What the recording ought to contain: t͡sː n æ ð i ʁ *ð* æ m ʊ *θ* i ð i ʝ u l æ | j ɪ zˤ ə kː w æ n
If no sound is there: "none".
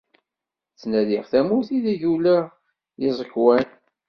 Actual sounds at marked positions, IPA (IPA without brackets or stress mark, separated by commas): θ, θ